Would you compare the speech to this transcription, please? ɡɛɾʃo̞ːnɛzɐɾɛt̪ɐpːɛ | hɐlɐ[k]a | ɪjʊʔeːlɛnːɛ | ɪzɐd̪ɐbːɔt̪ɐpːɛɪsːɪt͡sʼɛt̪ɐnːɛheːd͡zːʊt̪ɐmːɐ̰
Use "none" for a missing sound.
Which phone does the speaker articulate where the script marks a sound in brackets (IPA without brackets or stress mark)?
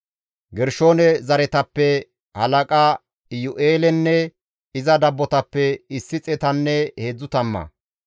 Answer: kʼ